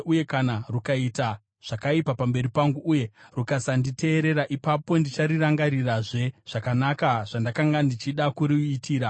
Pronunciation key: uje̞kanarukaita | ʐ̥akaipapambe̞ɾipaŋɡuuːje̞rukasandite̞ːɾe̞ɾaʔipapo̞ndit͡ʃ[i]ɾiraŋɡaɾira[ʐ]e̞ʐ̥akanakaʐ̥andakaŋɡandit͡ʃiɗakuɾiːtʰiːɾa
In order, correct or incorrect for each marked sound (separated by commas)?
incorrect, correct